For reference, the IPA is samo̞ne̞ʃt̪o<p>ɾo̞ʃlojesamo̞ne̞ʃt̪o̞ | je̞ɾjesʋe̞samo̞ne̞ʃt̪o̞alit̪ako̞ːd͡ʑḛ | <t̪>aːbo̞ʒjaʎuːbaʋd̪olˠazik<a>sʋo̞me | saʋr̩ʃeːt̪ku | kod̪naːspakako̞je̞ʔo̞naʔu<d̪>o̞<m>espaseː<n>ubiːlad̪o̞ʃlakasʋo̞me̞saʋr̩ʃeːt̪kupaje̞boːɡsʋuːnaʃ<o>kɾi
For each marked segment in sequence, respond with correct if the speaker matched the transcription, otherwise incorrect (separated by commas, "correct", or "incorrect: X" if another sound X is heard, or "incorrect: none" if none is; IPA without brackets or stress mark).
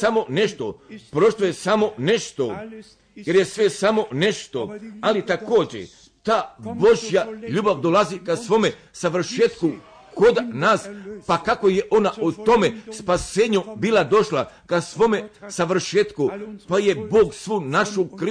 correct, correct, correct, incorrect: t̪, correct, incorrect: ɲ, incorrect: u